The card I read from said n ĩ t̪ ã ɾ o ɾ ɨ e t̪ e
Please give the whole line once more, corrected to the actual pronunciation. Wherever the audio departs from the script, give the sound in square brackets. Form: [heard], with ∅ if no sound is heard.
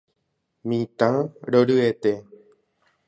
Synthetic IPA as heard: [m] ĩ t̪ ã ɾ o ɾ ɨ e t̪ e